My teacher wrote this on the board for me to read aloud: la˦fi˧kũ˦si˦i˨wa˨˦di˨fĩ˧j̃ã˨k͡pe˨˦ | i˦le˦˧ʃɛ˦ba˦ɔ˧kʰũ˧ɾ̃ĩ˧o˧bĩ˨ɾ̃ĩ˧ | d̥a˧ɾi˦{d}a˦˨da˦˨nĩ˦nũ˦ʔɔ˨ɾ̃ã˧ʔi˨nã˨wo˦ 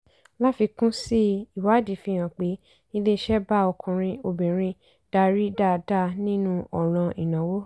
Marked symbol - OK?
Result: yes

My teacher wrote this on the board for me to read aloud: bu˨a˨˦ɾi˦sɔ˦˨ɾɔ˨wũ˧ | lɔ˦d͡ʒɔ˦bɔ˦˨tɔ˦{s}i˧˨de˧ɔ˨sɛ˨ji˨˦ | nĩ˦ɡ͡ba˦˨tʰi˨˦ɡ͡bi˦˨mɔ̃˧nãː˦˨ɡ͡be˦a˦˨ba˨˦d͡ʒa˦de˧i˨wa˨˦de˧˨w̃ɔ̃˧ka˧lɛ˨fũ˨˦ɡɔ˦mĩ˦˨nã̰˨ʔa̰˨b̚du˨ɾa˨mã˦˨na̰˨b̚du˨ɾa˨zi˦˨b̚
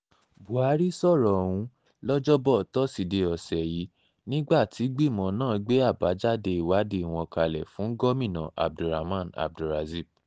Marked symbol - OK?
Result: yes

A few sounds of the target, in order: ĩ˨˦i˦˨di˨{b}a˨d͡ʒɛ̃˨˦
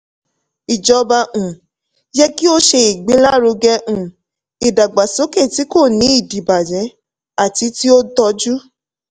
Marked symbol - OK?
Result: yes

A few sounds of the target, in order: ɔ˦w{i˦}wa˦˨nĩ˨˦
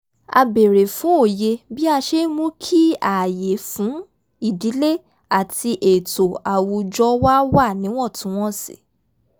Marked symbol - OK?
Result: no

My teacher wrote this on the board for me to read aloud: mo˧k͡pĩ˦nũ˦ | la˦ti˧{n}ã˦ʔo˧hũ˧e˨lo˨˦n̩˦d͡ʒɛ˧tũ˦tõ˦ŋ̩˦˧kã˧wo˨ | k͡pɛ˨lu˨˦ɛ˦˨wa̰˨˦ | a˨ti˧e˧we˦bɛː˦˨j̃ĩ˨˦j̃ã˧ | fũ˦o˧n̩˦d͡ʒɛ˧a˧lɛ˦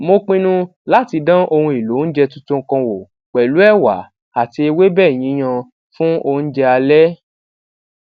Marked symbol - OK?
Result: no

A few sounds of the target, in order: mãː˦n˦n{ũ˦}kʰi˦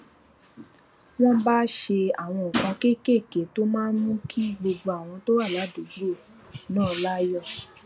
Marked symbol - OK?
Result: yes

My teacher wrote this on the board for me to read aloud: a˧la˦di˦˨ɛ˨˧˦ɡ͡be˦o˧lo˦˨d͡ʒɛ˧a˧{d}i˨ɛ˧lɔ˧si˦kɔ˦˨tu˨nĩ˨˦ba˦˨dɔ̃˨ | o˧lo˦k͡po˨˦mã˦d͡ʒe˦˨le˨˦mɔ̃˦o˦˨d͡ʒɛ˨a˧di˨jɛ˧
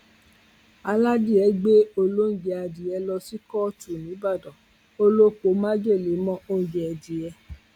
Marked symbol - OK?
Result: yes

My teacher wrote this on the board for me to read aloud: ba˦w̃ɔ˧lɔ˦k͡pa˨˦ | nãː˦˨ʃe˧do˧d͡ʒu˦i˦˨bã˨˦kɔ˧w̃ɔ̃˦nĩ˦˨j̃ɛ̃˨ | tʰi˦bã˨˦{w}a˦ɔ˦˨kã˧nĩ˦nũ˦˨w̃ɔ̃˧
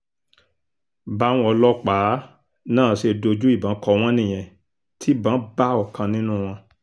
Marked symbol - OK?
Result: no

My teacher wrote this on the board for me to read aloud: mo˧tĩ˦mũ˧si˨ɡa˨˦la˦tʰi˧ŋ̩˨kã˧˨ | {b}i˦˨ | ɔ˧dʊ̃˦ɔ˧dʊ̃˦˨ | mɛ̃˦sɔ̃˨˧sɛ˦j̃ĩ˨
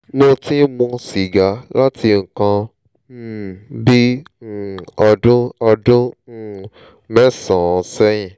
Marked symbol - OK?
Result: yes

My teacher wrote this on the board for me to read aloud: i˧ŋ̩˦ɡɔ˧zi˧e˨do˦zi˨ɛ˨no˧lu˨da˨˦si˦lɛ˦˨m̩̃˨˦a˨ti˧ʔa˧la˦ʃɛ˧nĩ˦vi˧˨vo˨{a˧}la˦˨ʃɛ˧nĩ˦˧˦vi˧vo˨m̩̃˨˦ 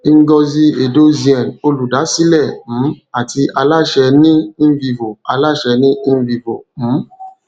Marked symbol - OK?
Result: yes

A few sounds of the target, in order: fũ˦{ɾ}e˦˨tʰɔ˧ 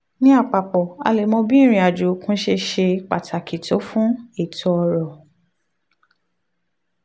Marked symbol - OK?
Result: no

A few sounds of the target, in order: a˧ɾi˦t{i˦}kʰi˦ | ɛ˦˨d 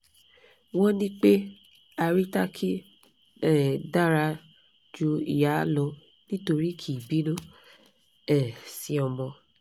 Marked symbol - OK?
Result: no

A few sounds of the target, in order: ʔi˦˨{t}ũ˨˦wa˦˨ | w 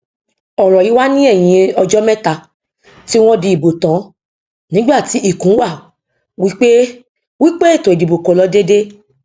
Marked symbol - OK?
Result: no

